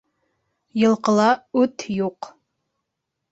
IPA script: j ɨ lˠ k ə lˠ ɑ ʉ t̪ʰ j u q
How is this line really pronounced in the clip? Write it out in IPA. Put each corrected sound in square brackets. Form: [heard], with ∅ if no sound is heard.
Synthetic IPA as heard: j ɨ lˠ [q] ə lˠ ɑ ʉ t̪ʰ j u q